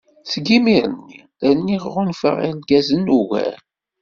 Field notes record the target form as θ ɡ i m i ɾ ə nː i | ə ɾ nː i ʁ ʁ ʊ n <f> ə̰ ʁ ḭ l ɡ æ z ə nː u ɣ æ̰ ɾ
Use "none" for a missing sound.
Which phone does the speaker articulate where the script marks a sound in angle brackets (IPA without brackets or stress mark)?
f